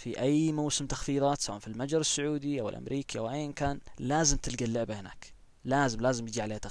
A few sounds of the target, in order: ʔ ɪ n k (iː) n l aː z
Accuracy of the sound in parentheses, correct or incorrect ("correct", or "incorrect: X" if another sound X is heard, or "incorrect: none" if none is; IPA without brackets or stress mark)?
incorrect: aː